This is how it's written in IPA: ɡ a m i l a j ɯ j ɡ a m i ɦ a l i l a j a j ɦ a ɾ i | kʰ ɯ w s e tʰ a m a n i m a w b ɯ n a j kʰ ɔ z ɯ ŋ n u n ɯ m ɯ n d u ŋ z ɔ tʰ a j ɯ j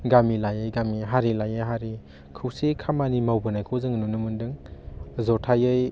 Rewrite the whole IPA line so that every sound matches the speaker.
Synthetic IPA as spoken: ɡ a m i l a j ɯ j ɡ a m i ɦ a ɾ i l a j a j ɦ a ɾ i | kʰ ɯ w s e kʰ a m a n i m a w b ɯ n a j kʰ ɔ z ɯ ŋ n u n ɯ m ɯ n d ɯ ŋ z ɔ tʰ a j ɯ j